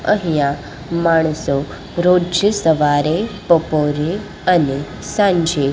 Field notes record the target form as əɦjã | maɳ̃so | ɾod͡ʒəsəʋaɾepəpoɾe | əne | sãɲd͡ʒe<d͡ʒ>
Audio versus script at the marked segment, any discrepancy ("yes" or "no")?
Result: yes